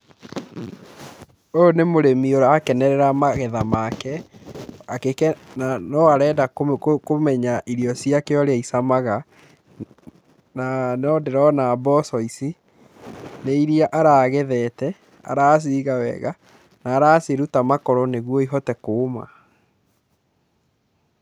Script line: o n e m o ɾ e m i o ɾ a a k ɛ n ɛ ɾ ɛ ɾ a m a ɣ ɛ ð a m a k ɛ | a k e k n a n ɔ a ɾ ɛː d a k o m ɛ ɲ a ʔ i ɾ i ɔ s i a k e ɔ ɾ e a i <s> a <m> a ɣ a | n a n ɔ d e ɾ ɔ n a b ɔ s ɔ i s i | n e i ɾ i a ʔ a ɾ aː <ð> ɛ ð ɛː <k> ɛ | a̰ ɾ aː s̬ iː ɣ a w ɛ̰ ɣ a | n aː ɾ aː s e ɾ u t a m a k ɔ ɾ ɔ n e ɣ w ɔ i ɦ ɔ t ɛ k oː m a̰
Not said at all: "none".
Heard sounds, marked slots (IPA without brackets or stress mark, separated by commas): s, m, ɣ, t